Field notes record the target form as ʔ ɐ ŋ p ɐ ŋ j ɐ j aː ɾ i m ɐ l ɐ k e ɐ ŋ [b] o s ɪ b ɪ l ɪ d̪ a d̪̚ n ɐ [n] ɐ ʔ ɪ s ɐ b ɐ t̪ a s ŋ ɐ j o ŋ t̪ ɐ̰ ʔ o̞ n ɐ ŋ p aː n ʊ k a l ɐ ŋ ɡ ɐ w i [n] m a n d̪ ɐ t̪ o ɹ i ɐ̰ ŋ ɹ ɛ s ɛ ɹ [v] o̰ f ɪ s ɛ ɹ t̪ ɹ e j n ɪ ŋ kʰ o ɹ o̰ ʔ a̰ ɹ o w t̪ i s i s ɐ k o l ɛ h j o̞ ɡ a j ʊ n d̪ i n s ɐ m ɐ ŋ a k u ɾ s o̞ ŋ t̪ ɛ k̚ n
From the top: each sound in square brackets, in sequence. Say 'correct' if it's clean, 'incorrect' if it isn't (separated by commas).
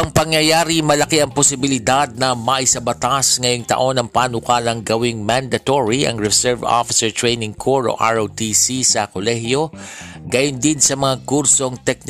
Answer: incorrect, incorrect, incorrect, correct